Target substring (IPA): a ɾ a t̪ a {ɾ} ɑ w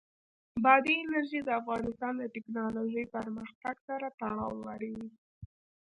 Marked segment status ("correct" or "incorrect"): incorrect